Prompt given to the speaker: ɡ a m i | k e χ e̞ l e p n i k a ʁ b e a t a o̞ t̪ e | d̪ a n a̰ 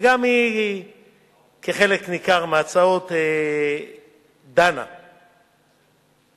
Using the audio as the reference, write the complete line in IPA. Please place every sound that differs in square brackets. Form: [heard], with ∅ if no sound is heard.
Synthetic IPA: ɡ a m i | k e χ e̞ l e [k] n i k a ʁ [m] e a [t͡s] a o̞ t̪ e | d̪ a n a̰